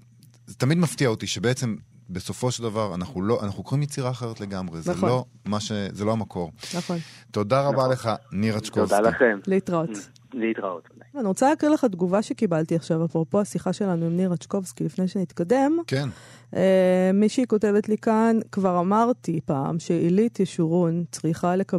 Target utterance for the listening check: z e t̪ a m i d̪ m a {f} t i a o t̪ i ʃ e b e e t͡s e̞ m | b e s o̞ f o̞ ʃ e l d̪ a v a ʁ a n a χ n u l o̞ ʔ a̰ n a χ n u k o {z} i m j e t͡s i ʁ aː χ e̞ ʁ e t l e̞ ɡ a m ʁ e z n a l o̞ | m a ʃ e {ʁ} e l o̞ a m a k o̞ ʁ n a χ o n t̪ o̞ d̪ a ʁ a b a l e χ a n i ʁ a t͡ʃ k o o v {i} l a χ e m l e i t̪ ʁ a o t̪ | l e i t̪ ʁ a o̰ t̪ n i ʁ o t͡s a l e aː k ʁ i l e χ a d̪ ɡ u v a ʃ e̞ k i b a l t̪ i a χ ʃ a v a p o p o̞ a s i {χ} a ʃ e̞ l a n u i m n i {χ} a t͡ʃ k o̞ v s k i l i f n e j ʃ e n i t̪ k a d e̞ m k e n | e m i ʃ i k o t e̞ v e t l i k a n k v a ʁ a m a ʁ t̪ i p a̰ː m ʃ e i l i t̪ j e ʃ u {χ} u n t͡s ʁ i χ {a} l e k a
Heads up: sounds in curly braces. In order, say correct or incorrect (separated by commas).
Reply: correct, incorrect, incorrect, incorrect, correct, incorrect, incorrect, correct